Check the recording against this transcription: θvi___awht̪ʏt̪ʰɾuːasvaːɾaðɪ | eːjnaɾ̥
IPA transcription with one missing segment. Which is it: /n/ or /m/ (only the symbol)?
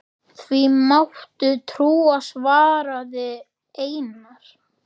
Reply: m